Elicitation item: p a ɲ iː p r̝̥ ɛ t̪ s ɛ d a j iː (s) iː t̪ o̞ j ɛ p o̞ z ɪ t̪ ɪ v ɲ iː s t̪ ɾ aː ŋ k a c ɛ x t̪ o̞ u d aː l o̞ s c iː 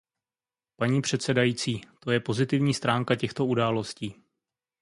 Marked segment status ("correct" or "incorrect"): incorrect